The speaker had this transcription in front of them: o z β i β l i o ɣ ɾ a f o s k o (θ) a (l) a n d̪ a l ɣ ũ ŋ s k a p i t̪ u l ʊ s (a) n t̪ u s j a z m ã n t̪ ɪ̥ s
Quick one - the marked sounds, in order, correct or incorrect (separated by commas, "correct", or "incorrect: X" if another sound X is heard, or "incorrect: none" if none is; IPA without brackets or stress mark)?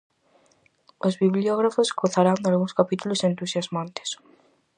correct, incorrect: ɾ, incorrect: e